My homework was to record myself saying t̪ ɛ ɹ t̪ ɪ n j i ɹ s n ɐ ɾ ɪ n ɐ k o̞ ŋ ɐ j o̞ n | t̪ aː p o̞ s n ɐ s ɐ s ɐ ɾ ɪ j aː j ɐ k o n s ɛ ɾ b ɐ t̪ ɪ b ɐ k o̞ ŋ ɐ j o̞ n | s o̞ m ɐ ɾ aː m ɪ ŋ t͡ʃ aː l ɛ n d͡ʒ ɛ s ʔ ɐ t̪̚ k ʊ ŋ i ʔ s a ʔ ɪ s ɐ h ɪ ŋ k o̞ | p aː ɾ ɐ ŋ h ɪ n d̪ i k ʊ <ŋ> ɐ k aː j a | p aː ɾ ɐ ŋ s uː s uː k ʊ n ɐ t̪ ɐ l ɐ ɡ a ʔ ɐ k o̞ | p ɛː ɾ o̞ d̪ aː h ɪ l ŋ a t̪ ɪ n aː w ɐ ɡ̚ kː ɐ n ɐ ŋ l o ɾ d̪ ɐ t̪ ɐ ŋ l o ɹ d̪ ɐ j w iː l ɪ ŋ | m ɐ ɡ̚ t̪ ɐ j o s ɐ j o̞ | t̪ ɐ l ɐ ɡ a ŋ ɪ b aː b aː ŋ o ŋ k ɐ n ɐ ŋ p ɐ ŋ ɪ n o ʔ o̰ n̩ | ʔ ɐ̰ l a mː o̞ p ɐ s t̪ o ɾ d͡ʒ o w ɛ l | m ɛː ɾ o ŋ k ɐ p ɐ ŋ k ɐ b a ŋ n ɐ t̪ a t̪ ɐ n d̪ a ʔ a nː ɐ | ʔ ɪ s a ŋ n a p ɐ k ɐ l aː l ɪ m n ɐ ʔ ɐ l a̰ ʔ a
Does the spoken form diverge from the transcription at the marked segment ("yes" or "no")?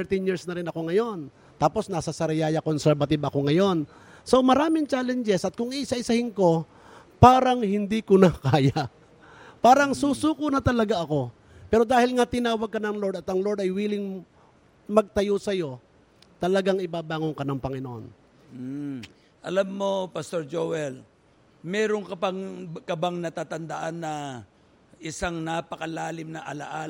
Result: yes